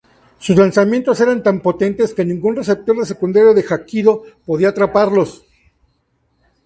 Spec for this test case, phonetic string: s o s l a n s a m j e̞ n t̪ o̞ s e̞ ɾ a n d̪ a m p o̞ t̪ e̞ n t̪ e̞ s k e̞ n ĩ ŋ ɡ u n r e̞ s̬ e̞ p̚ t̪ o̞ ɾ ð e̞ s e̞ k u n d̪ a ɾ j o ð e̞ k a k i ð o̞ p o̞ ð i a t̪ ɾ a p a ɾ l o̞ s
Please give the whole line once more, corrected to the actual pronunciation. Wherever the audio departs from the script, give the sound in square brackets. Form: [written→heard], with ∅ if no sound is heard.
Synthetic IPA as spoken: s [o→u] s l a n s a m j e̞ n t̪ o̞ s e̞ ɾ a n [d̪→t̪] a m p o̞ t̪ e̞ n t̪ e̞ s k e̞ n ĩ ŋ ɡ u n r e̞ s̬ e̞ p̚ t̪ o̞ ɾ ð e̞ s e̞ k u n d̪ a ɾ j o ð e̞ [k→x] a k i ð o̞ p o̞ ð i a t̪ ɾ a p a ɾ l o̞ s